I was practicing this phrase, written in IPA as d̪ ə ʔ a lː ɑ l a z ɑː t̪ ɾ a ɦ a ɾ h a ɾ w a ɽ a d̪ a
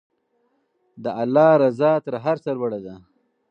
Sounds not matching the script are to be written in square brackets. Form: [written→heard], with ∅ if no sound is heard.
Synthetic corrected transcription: d̪ ə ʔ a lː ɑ [l→ɾ] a z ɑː t̪ ɾ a ɦ a ɾ [h→s] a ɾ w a ɽ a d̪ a